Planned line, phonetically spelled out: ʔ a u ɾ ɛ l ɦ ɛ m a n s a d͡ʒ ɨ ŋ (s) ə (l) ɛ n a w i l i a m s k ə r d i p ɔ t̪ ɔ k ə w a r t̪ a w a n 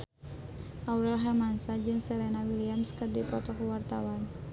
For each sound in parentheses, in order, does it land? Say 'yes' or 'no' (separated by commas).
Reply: yes, no